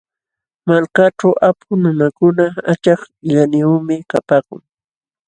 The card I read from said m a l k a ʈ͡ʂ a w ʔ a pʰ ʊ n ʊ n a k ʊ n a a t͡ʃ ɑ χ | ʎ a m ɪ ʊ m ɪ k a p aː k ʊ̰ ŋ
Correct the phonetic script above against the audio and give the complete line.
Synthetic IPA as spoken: m a l k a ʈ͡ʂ a w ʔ a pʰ ʊ n ʊ n a k ʊ n a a t͡ʃ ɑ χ | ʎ a n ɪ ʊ m ɪ k a p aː k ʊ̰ ŋ